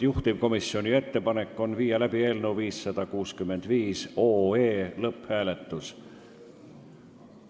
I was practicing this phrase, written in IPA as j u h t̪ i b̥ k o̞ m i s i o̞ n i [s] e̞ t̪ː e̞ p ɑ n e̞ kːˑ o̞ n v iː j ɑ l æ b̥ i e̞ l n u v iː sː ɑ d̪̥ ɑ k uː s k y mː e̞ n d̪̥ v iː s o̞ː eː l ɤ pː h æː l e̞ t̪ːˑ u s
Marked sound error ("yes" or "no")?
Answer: yes